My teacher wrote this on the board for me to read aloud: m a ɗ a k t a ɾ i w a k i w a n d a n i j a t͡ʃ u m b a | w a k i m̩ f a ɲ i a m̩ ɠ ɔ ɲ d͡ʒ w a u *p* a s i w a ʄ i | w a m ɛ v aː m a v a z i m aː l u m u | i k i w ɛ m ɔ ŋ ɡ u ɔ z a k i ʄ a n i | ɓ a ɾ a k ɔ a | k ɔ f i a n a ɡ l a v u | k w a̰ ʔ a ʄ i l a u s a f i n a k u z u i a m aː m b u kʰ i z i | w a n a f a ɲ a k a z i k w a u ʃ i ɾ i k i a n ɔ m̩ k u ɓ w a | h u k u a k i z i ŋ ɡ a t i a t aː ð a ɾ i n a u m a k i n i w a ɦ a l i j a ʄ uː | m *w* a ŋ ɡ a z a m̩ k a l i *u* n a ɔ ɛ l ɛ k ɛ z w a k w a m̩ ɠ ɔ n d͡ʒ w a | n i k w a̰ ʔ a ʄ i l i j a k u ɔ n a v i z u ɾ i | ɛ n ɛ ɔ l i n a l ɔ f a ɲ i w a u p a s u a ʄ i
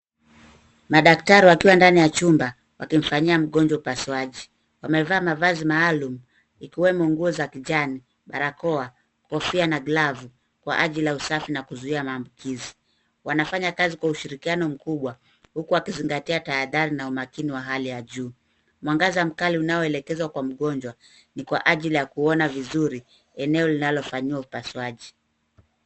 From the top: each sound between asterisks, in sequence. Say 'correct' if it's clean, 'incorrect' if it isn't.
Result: correct, correct, correct

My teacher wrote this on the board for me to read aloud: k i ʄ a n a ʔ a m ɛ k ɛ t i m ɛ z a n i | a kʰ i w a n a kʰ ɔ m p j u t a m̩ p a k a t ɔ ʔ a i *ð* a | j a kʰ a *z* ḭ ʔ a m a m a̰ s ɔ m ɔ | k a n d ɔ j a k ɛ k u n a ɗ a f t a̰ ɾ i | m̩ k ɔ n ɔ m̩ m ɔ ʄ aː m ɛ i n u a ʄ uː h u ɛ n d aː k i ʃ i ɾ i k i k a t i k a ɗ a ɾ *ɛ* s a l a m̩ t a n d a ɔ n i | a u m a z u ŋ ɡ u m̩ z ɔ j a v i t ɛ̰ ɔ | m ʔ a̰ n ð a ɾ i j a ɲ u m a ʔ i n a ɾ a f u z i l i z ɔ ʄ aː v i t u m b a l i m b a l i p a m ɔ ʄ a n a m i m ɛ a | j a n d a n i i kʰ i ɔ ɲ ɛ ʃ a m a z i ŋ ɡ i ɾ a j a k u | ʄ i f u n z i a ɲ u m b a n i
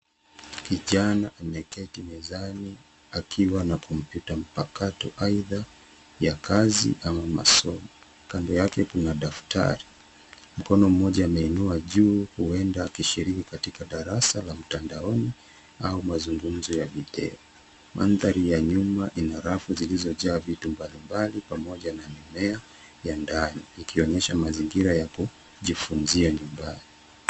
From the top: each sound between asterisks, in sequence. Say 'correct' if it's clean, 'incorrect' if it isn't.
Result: correct, correct, incorrect

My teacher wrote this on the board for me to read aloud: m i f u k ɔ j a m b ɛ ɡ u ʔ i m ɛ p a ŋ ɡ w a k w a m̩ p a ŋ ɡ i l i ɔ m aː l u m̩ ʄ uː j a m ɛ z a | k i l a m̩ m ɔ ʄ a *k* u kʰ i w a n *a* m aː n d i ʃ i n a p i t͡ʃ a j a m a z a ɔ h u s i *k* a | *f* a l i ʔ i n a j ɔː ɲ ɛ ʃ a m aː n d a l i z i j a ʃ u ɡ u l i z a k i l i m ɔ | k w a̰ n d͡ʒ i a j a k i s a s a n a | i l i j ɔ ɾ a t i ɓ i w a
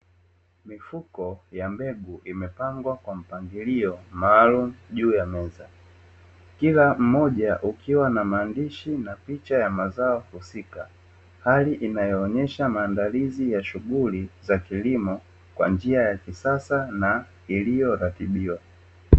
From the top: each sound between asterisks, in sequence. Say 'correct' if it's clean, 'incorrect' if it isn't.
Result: incorrect, correct, correct, incorrect

